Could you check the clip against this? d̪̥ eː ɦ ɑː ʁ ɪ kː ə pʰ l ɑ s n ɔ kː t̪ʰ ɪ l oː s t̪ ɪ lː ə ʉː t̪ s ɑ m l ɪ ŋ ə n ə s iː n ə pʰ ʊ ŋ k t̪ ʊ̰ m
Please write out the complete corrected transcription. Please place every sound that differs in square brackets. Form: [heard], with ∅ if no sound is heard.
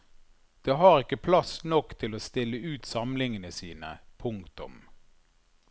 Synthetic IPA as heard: d̪̥ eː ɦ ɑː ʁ ɪ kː ə pʰ l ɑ s n ɔ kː t̪ʰ ɪ l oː s t̪ ɪ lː ə ʉː t̪ s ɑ m l ɪ ŋ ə n ə s iː n ə pʰ ʊ ŋ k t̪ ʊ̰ m